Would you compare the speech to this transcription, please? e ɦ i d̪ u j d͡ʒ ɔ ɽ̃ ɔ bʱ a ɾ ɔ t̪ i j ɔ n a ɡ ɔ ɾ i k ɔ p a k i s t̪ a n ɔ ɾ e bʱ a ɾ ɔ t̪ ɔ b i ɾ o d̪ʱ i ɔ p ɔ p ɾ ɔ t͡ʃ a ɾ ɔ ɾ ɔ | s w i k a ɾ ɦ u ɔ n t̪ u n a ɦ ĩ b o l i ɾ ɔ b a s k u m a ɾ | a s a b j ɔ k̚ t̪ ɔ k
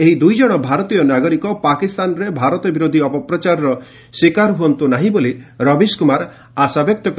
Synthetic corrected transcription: e ɦ i d̪ u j d͡ʒ ɔ ɽ̃ ɔ bʱ a ɾ ɔ t̪ i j ɔ n a ɡ ɔ ɾ i k ɔ p a k i s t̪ a n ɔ ɾ e bʱ a ɾ ɔ t̪ ɔ b i ɾ o d̪ʱ i ɔ p ɔ p ɾ ɔ t͡ʃ a ɾ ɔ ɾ ɔ | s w i k a ɾ ɦ u ɔ n t̪ u n a ɦ ĩ b o l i ɾ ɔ b i s k u m a ɾ | a s a b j ɔ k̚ t̪ ɔ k

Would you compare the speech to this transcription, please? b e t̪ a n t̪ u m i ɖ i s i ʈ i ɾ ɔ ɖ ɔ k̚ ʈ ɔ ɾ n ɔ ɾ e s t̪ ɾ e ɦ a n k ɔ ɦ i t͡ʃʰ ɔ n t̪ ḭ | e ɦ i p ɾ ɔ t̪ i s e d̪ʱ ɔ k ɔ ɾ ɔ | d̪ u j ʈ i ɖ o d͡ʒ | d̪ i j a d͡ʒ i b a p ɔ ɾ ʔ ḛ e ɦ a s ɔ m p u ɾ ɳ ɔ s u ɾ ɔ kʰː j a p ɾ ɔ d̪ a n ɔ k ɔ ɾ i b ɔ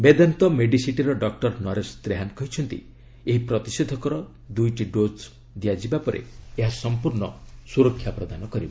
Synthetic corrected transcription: b e d̪ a n t̪ ɔ m e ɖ i s i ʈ i ɾ ɔ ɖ ɔ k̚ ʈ ɔ ɾ n ɔ ɾ e s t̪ ɾ e ɦ a n k ɔ ɦ i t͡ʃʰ ɔ n t̪ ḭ | e ɦ i p ɾ ɔ t̪ i s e d̪ʱ ɔ k ɔ ɾ ɔ | d̪ u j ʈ i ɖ o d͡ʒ | d̪ i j a d͡ʒ i b a p ɔ ɾ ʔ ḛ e ɦ a s ɔ m p u ɾ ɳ ɔ s u ɾ ɔ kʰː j a p ɾ ɔ d̪ a n ɔ k ɔ ɾ i b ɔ

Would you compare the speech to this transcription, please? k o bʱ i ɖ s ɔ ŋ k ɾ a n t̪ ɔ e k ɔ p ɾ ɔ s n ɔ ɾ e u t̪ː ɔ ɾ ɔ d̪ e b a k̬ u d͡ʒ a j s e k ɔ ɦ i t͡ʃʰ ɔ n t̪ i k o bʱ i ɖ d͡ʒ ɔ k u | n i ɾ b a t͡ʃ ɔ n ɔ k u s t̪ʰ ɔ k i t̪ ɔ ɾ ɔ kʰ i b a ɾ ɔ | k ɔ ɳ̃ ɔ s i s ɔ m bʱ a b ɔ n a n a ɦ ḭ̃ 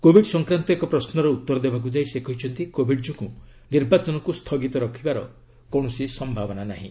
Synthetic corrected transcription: k o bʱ i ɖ s ɔ ŋ k ɾ a n t̪ ɔ e k ɔ p ɾ ɔ s n ɔ ɾ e u t̪ː ɔ ɾ ɔ d̪ e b a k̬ u d͡ʒ a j s e k ɔ ɦ i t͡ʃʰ ɔ n t̪ i k o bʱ i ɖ d͡ʒ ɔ k u | n i ɾ b a t͡ʃ ɔ n ɔ k u s t̪ʰ ɔ ɡ i t̪ ɔ ɾ ɔ kʰ i b a ɾ ɔ | k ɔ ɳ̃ ɔ s i s ɔ m bʱ a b ɔ n a n a ɦ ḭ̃

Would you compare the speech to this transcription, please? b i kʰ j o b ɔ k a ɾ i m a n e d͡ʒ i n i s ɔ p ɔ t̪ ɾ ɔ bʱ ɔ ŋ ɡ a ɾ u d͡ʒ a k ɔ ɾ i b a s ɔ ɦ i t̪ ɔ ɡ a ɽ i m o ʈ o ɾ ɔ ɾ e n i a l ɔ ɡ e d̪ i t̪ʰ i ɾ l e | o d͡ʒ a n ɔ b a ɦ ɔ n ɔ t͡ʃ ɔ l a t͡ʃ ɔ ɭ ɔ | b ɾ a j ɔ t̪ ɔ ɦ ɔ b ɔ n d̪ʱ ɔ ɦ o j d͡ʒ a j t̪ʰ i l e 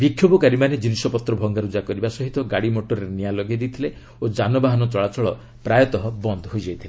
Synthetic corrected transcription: b i kʰ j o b ɔ k a ɾ i m a n e d͡ʒ i n i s ɔ p ɔ t̪ ɾ ɔ bʱ ɔ ŋ ɡ a ɾ u d͡ʒ a k ɔ ɾ i b a s ɔ ɦ i t̪ ɔ ɡ a ɽ i m o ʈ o ɾ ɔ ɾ e n i a l ɔ ɡ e d̪ i t̪ʰ i l e | o d͡ʒ a n ɔ b a ɦ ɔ n ɔ t͡ʃ ɔ ɭ a t͡ʃ ɔ ɭ ɔ | p ɾ a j ɔ t̪ ɔ ɦ ɔ b ɔ n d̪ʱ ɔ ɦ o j d͡ʒ a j t̪ʰ i l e

